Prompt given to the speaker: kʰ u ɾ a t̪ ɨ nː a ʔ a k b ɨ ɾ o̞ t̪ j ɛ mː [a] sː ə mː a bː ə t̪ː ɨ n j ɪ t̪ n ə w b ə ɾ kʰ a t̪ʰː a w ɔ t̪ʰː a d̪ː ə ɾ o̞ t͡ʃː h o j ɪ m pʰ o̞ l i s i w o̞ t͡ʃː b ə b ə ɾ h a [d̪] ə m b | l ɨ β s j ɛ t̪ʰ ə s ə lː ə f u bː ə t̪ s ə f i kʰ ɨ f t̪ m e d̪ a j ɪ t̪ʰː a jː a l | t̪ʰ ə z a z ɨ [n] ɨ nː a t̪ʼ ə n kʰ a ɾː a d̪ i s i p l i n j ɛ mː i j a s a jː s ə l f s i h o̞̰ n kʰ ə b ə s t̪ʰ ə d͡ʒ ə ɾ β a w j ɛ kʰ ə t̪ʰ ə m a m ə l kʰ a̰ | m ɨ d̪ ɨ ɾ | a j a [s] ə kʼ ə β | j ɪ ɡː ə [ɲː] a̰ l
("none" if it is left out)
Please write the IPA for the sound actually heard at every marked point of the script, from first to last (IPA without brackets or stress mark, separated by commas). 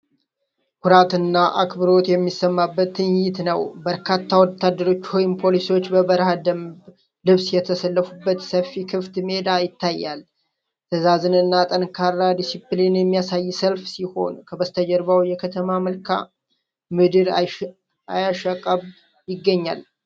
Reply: i, d̪, n, ʃ, ɲː